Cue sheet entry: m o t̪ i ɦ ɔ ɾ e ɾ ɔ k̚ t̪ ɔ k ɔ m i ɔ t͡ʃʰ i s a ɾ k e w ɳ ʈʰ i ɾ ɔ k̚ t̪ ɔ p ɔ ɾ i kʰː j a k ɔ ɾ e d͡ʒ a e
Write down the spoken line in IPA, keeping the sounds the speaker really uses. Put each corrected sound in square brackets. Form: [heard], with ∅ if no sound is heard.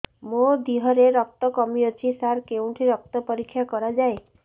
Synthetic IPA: m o [d̪] i ɦ ɔ ɾ e ɾ ɔ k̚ t̪ ɔ k ɔ m i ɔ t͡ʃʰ i s a ɾ k e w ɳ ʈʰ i ɾ ɔ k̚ t̪ ɔ p ɔ ɾ i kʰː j a k ɔ ɾ [a] d͡ʒ a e